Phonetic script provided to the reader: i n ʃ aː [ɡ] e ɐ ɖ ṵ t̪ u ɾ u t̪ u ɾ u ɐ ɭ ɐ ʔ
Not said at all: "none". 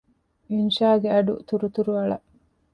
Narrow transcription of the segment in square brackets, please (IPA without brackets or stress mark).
ɡ